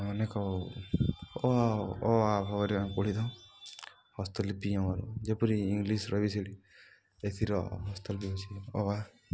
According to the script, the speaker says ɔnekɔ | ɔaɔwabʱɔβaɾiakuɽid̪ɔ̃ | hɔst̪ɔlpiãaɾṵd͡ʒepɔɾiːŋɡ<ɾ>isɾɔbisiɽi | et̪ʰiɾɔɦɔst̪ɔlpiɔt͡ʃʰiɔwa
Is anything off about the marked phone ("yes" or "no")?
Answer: yes